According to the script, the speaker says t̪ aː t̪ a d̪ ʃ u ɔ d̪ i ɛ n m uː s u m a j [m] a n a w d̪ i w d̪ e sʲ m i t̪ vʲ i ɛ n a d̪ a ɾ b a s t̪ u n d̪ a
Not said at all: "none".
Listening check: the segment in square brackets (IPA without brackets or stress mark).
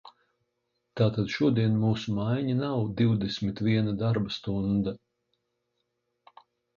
ɲ